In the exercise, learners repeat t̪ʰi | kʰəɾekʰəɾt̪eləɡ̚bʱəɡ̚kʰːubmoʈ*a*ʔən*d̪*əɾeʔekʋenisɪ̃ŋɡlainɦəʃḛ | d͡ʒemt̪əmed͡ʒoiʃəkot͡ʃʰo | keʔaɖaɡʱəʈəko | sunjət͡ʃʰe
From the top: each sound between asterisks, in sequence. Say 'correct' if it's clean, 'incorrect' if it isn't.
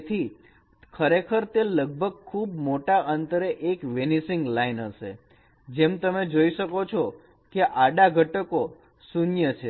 correct, incorrect: t̪

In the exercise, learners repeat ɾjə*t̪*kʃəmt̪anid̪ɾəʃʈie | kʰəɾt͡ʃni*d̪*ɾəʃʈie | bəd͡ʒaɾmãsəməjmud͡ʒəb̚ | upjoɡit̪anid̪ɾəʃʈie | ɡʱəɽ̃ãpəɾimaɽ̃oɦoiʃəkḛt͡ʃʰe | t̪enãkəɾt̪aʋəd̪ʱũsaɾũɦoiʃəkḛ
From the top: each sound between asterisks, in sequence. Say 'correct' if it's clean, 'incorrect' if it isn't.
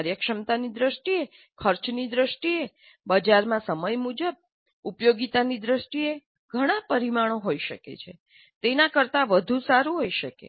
incorrect: none, correct

